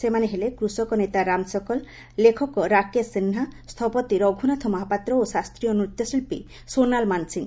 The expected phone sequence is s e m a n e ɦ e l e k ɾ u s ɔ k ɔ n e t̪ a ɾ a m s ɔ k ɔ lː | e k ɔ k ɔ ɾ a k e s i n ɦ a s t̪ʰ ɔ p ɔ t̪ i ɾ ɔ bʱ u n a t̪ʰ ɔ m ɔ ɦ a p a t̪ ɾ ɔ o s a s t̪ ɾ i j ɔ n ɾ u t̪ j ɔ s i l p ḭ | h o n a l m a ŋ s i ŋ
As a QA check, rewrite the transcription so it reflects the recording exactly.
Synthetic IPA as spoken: s e m a n e ɦ e l e k ɾ u s ɔ k ɔ n e t̪ a ɾ a m s ɔ k ɔ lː | e kʰ ɔ k ɔ ɾ a k e s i n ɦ a s t̪ʰ ɔ p ɔ t̪ i ɾ ɔ ɡʱ u n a t̪ʰ ɔ m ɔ ɦ a p a t̪ ɾ ɔ o s a s t̪ ɾ i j ɔ n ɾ u t̪ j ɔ s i l p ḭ | s o n a l m a n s i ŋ